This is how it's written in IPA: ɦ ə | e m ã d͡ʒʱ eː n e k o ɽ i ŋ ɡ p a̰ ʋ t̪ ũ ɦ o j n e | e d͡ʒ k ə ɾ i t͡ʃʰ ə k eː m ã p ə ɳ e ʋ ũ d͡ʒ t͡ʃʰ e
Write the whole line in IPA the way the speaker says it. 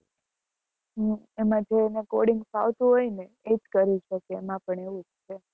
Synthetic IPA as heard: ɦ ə | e m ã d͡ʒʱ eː n e k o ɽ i ŋ ɡ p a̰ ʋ t̪ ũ ɦ o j n e | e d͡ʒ k ə ɾ i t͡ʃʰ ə k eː m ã p ə ɳ e ʋ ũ d͡ʒ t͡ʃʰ e